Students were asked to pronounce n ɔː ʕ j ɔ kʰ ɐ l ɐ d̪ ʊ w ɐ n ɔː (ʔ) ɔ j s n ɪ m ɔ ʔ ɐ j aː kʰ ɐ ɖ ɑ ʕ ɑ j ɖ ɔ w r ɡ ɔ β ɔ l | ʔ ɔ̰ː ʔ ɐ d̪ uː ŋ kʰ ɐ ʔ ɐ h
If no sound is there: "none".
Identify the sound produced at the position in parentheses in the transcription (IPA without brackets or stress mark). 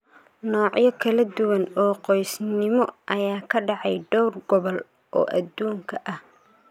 q